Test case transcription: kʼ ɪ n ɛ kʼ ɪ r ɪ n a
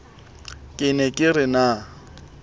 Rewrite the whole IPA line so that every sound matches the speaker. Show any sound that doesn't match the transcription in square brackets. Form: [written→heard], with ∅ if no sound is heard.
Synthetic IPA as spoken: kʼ ɪ n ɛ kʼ ɪ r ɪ n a